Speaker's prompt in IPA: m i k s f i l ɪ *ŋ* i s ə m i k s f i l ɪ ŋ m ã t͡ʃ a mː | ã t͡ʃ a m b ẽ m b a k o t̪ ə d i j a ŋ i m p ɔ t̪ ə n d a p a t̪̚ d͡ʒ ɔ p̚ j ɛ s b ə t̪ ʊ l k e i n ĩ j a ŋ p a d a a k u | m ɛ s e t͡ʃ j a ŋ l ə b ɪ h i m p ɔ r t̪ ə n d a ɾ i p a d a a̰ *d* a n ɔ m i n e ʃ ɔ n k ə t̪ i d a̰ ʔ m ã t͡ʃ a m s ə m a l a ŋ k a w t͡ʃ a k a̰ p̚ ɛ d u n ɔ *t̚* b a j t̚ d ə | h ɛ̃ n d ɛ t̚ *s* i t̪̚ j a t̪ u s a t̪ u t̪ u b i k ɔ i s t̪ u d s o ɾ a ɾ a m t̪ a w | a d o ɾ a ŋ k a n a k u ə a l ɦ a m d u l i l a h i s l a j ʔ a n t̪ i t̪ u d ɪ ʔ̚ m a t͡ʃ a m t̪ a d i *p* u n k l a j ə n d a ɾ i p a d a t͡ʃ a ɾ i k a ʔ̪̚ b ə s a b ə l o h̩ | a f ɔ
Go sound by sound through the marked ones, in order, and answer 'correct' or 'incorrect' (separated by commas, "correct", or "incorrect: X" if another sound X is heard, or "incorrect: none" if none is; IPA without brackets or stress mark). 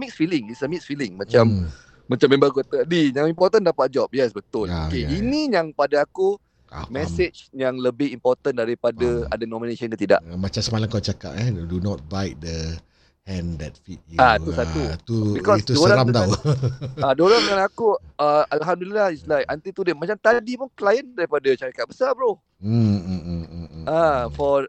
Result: correct, correct, correct, incorrect: f, correct